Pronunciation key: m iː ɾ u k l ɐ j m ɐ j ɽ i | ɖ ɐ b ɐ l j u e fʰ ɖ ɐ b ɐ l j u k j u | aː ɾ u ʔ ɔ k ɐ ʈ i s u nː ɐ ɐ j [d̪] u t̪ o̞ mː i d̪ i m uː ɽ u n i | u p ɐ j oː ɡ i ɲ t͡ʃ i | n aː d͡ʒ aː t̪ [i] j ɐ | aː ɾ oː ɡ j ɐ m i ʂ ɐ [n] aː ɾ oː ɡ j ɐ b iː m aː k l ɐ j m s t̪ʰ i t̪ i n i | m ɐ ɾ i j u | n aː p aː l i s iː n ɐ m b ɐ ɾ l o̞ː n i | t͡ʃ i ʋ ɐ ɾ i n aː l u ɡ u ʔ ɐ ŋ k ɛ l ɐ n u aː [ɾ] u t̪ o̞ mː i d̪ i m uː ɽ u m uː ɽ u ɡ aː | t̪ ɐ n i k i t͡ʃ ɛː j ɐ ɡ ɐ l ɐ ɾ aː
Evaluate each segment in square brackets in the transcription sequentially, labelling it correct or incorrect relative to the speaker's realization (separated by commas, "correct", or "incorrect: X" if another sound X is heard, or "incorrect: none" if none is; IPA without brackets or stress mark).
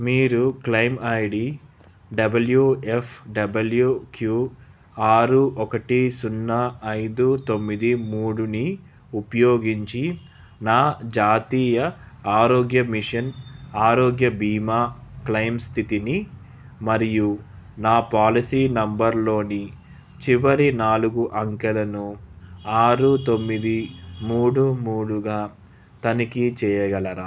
correct, incorrect: iː, correct, correct